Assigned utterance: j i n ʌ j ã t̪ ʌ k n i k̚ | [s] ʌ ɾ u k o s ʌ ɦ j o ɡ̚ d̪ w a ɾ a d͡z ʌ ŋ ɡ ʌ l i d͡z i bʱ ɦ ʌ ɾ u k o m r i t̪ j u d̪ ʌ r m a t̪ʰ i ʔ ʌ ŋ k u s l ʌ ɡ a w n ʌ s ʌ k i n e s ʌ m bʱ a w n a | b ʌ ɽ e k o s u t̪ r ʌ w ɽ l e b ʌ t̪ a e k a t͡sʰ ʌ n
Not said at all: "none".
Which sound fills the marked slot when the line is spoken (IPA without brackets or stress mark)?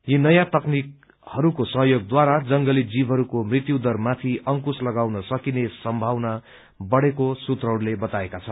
h